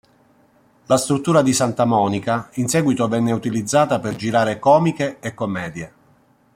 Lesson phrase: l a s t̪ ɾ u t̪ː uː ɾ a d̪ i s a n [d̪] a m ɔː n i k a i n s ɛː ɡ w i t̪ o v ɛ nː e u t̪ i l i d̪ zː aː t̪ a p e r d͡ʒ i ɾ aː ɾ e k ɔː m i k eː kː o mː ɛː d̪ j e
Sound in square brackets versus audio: incorrect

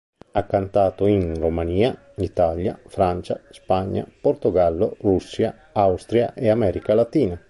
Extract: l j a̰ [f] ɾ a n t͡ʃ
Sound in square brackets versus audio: correct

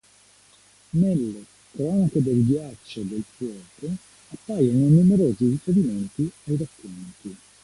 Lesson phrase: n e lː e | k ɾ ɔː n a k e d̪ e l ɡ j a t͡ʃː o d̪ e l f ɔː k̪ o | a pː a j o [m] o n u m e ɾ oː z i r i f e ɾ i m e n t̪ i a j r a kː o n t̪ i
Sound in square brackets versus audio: incorrect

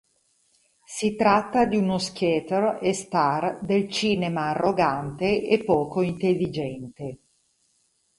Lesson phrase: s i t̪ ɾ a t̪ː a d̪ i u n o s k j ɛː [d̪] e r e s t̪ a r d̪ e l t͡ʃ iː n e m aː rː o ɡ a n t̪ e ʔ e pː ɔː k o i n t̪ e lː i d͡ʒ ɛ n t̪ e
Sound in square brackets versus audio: incorrect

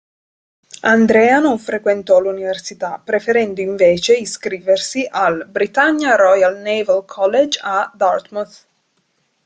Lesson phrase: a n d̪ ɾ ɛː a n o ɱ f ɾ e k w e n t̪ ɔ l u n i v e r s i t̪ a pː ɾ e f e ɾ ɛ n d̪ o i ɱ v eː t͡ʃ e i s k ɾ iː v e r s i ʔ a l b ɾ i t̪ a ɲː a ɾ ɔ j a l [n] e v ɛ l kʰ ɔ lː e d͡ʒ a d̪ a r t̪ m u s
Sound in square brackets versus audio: correct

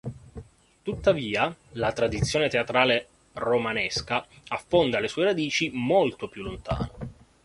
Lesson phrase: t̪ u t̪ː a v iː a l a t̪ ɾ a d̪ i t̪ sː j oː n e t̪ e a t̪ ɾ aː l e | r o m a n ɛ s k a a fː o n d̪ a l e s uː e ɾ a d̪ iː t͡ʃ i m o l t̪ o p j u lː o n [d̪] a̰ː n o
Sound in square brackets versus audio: incorrect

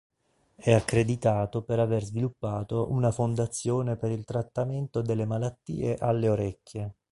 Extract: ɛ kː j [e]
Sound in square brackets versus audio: correct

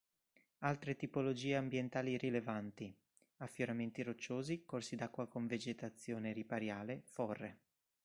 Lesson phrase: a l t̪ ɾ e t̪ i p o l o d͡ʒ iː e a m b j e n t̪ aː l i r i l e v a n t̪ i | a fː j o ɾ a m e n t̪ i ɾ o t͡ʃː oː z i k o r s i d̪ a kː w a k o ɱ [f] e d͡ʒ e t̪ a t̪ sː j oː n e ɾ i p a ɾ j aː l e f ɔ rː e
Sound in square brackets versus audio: incorrect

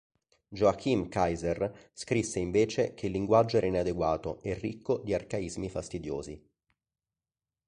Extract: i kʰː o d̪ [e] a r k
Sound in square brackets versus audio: incorrect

